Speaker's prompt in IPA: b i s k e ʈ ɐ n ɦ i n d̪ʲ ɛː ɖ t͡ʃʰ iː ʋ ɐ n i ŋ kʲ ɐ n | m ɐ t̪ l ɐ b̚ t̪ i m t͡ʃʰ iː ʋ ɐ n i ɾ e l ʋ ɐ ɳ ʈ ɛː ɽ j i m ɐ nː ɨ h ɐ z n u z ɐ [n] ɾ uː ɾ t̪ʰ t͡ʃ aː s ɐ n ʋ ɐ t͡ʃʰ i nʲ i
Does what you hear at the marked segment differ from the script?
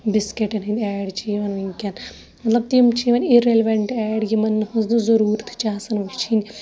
yes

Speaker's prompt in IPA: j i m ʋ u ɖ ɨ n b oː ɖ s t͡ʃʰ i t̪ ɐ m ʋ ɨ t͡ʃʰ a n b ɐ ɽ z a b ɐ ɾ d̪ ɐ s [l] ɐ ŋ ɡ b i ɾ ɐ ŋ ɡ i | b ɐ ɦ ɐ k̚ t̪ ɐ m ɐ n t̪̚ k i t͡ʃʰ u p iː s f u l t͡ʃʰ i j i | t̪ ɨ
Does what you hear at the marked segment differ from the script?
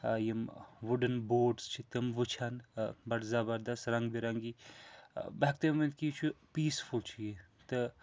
yes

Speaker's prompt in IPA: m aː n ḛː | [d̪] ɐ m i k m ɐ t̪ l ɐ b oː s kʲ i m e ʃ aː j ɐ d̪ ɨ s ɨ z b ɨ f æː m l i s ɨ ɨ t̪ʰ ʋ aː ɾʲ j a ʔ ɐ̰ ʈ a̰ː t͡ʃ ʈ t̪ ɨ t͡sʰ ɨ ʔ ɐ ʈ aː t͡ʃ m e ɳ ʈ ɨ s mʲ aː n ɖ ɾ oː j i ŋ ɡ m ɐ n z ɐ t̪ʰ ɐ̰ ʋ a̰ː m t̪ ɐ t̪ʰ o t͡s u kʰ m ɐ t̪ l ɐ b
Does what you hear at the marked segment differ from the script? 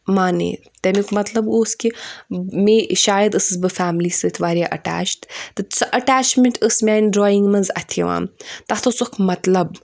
yes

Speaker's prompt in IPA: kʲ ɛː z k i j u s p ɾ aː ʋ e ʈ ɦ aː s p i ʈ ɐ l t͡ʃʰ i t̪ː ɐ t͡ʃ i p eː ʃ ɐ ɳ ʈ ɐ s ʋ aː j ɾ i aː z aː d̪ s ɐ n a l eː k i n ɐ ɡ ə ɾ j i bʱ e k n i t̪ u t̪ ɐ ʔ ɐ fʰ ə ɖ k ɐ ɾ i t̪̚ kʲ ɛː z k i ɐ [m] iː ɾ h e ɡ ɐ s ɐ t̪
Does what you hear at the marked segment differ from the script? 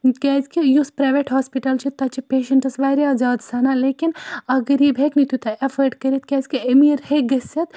no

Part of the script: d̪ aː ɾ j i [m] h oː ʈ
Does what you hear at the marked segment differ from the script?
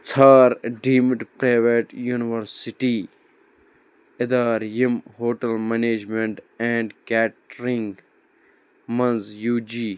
no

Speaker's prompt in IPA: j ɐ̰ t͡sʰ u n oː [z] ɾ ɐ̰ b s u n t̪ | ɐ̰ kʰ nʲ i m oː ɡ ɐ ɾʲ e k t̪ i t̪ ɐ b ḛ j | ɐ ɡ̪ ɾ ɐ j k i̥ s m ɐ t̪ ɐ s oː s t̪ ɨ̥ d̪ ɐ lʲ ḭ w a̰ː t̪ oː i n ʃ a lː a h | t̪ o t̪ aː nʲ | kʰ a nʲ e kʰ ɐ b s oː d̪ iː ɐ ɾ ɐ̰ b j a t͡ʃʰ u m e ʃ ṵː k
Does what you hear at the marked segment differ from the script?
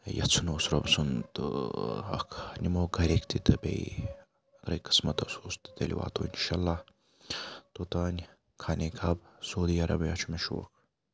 yes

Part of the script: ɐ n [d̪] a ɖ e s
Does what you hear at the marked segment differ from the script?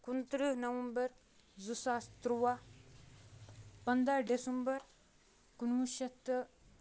no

